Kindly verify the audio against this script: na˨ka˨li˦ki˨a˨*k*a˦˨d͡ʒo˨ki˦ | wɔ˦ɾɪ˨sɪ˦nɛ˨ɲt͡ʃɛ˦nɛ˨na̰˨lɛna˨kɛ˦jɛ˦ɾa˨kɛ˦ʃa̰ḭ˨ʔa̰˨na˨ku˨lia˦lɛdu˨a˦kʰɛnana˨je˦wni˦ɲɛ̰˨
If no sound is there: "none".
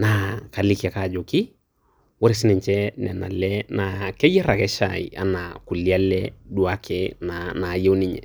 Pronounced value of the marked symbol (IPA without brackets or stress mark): k